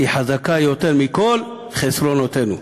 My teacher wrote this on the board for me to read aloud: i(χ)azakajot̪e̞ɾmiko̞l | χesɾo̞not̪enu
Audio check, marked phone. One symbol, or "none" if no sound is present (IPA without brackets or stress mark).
ħ